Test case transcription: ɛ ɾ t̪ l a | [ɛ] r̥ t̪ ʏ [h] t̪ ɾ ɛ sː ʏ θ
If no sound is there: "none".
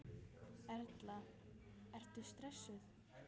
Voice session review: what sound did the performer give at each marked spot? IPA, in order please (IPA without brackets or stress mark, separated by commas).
ɛ, s